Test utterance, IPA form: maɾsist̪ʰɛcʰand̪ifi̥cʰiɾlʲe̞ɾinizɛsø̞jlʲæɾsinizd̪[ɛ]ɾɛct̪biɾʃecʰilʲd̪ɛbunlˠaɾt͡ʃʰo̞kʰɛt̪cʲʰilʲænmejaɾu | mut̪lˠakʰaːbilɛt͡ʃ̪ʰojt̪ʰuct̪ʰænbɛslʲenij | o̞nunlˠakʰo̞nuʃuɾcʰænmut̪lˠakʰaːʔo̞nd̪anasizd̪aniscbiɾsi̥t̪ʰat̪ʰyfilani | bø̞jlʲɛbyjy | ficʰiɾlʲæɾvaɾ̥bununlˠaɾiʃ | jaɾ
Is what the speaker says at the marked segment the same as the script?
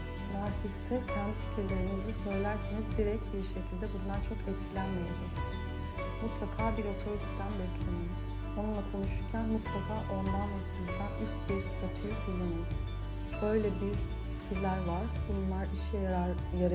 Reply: no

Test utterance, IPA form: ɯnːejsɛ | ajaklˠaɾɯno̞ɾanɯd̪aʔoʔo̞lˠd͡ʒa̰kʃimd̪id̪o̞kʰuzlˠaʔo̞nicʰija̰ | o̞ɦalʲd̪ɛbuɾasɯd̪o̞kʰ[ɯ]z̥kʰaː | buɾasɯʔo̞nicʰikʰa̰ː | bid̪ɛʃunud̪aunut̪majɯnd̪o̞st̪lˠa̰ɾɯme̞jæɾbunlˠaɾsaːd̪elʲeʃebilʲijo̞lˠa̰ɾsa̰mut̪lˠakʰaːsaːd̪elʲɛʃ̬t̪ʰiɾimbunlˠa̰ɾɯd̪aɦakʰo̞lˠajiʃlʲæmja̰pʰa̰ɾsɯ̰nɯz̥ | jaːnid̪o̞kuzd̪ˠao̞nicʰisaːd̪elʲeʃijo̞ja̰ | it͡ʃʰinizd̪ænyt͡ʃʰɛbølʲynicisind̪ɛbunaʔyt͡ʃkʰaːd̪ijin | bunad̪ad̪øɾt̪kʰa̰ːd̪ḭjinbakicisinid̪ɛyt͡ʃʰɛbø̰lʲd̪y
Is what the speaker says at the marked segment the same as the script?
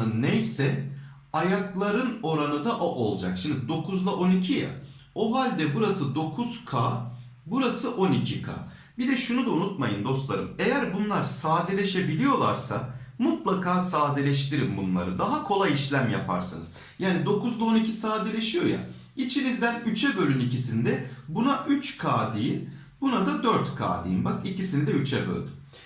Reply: no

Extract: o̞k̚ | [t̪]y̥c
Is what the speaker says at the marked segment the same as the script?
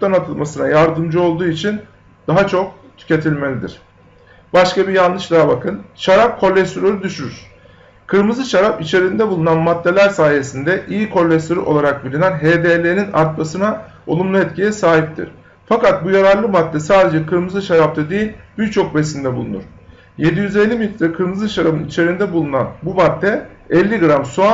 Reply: no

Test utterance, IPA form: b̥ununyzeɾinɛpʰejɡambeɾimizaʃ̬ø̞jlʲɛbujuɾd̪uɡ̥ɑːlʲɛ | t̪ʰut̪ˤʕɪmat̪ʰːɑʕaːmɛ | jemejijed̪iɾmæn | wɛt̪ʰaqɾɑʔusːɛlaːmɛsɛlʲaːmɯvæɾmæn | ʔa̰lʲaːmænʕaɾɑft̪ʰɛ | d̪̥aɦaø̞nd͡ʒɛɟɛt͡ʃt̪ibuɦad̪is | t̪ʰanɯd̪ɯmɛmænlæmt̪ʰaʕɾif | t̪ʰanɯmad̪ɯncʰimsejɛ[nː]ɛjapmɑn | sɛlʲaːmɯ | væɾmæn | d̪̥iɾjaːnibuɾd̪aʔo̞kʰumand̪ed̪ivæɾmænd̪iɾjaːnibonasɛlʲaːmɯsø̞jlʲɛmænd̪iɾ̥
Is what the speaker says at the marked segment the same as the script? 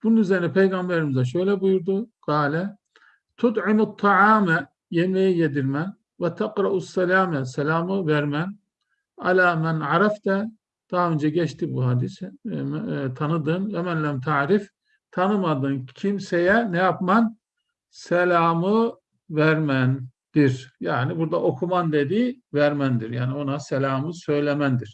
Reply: no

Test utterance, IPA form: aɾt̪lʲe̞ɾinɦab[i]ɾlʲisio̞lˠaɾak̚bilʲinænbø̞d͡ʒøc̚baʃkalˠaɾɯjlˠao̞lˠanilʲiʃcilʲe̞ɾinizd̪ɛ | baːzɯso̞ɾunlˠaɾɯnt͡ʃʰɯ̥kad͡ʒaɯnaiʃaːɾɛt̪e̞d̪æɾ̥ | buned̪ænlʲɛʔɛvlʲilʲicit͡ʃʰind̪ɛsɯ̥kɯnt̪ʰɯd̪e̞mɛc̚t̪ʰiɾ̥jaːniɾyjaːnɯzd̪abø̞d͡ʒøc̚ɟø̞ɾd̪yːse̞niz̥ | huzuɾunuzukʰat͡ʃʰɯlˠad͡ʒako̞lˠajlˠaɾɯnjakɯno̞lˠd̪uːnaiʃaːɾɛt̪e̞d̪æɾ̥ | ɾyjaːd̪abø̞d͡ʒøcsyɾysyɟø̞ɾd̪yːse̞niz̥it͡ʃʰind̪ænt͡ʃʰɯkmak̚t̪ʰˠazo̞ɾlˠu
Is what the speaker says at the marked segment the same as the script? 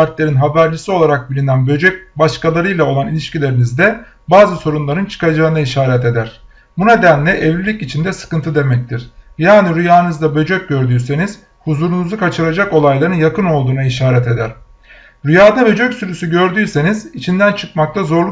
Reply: no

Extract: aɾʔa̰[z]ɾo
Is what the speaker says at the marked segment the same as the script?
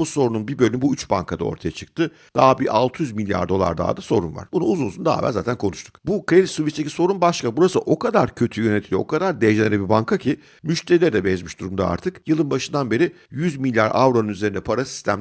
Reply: no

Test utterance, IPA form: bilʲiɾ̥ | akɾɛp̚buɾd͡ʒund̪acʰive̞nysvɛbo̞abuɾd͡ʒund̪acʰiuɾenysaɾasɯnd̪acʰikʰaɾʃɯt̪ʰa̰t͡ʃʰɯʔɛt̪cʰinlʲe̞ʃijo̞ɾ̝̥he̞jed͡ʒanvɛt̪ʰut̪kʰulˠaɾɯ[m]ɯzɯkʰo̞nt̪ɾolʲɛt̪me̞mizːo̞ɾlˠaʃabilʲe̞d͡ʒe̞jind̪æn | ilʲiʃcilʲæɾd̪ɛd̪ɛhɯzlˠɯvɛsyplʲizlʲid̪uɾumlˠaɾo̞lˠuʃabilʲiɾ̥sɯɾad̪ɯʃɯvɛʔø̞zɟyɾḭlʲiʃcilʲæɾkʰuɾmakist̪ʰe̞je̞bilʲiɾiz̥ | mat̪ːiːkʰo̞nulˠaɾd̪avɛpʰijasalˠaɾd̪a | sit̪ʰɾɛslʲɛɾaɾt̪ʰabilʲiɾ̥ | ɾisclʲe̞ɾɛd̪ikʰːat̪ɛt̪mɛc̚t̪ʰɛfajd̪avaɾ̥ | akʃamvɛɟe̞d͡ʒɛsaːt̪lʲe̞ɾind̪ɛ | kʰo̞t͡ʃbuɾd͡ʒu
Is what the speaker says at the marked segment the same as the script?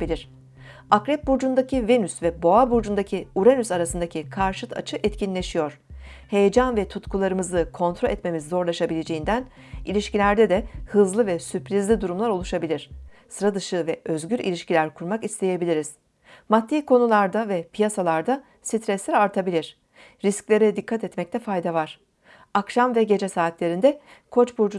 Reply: yes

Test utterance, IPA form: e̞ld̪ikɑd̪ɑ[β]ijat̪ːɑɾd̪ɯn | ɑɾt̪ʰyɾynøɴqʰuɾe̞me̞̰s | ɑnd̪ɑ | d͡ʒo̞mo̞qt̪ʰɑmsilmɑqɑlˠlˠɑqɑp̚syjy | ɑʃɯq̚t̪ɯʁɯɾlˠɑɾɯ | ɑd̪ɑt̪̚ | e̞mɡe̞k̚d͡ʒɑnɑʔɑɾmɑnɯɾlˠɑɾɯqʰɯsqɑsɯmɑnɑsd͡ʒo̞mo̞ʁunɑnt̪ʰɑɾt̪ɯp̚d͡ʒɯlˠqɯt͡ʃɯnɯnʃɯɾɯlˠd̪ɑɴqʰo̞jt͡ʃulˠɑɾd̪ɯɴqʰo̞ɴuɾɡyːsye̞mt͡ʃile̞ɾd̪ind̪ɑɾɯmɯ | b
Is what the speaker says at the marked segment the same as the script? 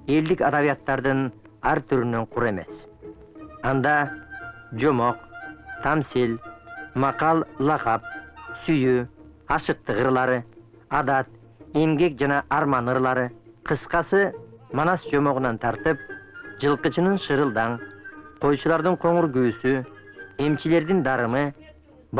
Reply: yes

